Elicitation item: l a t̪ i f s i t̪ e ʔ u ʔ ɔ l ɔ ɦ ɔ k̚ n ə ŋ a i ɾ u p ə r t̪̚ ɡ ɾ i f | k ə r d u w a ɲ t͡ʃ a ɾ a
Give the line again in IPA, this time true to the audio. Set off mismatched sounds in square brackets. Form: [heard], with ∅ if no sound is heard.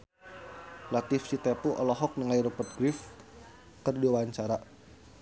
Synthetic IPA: l a t̪ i f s i t̪ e [p] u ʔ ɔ l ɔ ɦ ɔ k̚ n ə ŋ a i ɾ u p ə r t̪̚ ɡ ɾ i f | k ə r d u w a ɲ t͡ʃ a ɾ a